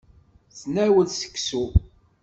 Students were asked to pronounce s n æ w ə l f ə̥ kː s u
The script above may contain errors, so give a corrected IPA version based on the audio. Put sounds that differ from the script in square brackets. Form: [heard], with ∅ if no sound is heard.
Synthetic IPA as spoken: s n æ w ə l [s] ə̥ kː s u